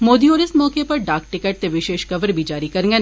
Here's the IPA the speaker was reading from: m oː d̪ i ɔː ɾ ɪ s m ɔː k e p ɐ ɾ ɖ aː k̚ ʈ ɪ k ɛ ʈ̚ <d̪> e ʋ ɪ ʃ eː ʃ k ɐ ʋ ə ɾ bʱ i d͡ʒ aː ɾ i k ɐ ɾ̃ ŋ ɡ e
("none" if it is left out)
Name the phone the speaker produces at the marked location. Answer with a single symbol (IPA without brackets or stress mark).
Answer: t̪